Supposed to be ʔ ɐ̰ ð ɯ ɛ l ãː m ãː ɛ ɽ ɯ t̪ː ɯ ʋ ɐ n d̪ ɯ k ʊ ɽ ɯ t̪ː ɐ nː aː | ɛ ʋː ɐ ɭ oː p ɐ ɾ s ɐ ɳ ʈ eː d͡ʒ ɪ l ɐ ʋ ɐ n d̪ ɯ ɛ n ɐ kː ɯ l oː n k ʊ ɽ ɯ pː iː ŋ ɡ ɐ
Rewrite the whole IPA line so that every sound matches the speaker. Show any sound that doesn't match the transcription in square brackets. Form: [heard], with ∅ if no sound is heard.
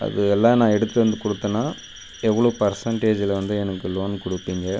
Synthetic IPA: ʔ ɐ̰ ð ɯ ɛ [lː] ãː [n] ãː ɛ ɽ ɯ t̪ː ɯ ʋ ɐ n d̪ ɯ k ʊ ɽ ɯ t̪ː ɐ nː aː | ɛ ʋː ɐ ɭ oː p ɐ ɾ s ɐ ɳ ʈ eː d͡ʒ ɪ l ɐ ʋ ɐ n d̪ ɯ ɛ n ɐ kː ɯ l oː n k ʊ ɽ ɯ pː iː ŋ ɡ ɐ